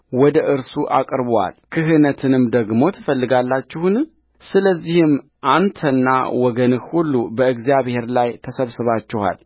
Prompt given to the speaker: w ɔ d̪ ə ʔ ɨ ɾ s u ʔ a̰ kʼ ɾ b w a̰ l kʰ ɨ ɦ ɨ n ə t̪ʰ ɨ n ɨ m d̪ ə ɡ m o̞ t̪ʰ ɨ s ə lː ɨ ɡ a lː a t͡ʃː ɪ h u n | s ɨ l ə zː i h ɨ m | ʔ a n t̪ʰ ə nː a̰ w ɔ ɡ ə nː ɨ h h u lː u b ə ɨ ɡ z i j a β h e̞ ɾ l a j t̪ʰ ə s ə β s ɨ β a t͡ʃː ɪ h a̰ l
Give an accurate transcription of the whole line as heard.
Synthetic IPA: w ɔ d̪ ə ʔ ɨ ɾ s u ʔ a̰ kʼ ɾ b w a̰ l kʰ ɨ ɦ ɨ n ə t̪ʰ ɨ n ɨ m d̪ ə ɡ m o̞ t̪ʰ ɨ f ə lː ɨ ɡ a lː a t͡ʃː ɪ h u n | s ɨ l ə zː i h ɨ m | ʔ a n t̪ʰ ə nː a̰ w ɔ ɡ ə n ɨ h h u lː u b ə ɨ ɡ z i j a β h e̞ ɾ l a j t̪ʰ ə s ə β s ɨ β a t͡ʃː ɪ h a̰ l